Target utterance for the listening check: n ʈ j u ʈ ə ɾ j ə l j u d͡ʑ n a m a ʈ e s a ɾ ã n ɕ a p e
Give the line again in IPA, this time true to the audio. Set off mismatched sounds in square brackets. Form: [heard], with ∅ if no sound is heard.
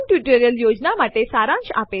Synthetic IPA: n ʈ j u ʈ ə ɾ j ə l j [o] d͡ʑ n a m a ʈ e s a ɾ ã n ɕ a p e